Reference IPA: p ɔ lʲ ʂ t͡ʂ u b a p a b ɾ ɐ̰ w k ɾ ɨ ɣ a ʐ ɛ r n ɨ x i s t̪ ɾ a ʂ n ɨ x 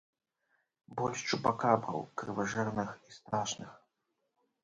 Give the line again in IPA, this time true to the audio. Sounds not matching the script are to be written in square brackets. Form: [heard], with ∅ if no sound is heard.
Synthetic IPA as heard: [b] ɔ lʲ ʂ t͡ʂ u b a [k] a b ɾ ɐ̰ w k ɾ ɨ [v] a ʐ ɛ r n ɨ x i s t̪ ɾ a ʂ n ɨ x

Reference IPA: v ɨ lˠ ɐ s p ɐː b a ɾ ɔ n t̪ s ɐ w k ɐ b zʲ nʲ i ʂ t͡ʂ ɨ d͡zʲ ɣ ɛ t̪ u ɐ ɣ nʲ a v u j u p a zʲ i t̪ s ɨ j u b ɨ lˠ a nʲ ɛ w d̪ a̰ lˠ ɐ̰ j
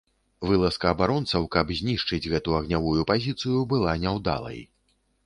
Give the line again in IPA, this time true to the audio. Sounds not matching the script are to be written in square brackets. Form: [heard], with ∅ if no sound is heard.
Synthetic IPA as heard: v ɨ lˠ ɐ s [k] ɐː b a ɾ ɔ n t̪ s ɐ w k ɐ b zʲ nʲ i ʂ t͡ʂ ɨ d͡zʲ ɣ ɛ t̪ u ɐ ɣ nʲ a v u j u p a zʲ i t̪ s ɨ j u b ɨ lˠ a nʲ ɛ w d̪ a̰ lˠ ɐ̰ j

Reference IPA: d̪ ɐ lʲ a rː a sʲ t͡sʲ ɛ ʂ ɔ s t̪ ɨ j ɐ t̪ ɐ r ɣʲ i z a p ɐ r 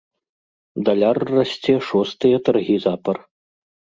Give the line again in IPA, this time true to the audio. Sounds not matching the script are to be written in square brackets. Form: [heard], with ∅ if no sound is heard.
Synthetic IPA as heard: d̪ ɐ lʲ a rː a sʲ t͡sʲ ɛ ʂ ɔ s t̪ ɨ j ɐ t̪ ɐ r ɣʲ i z a p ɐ r

